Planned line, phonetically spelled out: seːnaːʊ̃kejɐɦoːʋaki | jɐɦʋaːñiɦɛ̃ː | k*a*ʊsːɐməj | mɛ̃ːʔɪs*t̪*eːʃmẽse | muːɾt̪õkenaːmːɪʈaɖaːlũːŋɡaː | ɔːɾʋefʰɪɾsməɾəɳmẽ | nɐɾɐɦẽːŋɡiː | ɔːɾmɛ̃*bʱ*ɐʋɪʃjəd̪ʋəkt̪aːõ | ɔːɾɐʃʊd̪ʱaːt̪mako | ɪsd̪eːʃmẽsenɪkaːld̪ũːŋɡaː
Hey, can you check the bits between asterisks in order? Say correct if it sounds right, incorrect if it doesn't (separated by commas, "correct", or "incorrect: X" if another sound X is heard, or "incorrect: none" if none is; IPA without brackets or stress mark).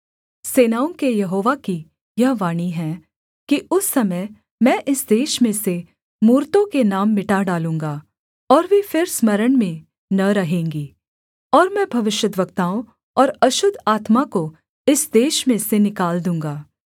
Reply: incorrect: i, incorrect: d̪, correct